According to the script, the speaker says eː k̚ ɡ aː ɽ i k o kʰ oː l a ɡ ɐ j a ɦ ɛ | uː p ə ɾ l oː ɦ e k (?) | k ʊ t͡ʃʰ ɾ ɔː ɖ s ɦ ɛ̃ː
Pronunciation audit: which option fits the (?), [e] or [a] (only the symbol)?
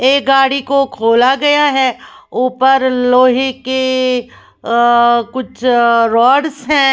e